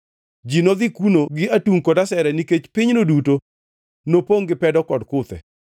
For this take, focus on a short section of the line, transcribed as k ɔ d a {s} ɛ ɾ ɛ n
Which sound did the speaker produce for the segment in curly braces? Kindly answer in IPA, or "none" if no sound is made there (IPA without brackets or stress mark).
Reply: s